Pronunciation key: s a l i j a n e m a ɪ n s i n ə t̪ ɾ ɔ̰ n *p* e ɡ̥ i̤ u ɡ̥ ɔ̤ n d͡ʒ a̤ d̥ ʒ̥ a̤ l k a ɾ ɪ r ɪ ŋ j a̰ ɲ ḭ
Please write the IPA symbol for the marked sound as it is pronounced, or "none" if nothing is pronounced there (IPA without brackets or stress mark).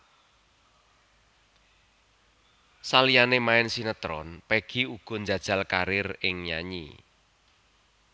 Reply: p